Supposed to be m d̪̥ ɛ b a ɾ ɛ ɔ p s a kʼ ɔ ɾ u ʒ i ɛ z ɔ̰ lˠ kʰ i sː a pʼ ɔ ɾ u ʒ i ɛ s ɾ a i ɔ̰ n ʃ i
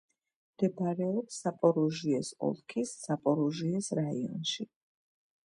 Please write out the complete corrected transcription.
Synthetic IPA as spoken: m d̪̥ ɛ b a ɾ ɛ ɔ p s a pʼ ɔ ɾ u ʒ i ɛ s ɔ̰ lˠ kʰ i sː a pʼ ɔ ɾ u ʒ i ɛ s ɾ a i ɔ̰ n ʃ i

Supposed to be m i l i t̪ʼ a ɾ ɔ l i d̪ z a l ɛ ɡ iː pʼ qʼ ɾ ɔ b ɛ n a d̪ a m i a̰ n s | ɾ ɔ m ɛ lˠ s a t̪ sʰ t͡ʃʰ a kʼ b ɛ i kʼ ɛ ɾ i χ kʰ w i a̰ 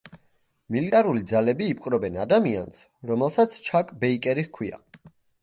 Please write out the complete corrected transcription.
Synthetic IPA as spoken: m i l i t̪ʼ a ɾ u l i d̪ z a l ɛ b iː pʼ qʼ ɾ ɔ b ɛ n a d̪ a m i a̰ n s | ɾ ɔ m ɛ lˠ s a t̪ sʰ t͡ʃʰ a kʼ b ɛ i kʼ ɛ ɾ i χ kʰ w i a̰

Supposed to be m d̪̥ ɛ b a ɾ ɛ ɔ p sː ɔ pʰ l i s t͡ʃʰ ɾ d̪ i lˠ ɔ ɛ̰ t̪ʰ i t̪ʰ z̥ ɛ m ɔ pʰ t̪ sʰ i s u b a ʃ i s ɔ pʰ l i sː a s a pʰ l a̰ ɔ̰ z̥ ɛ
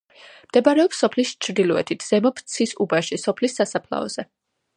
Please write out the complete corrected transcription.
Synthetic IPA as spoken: m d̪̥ ɛ b a ɾ ɛ ɔ p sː ɔ pʰ l i s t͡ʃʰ ɾ d̪ i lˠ ɔ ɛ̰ t̪ʰ i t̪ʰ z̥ ɛ m ɔ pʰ t̪ sʰ i s u b a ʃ i s ɔ pʰ l i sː a s a pʰ l a̰ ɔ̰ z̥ ɛ

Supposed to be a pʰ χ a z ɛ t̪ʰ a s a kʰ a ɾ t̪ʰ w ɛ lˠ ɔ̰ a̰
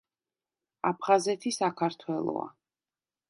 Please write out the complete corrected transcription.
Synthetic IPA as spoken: a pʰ χ a z ɛ t̪ʰ i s a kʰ a ɾ t̪ʰ w ɛ lˠ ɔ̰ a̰

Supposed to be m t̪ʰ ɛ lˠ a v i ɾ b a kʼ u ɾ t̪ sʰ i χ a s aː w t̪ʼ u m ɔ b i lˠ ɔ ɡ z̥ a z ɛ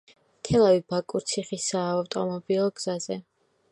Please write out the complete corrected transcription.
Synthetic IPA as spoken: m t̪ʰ ɛ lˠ a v i b a kʼ u ɾ t̪ sʰ i χ i s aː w t̪ʼ ɔ m ɔ b i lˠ ɔ ɡ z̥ a z ɛ

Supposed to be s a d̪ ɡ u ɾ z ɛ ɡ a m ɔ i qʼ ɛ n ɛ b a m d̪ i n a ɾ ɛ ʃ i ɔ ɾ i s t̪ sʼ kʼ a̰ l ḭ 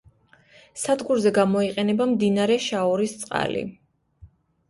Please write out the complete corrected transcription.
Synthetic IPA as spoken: s a d̪ ɡ u ɾ z ɛ ɡ a m ɔ i qʼ ɛ n ɛ b a m d̪ i n a ɾ ɛ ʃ a ɔ ɾ i s t̪ sʼ qʼ a̰ l ḭ

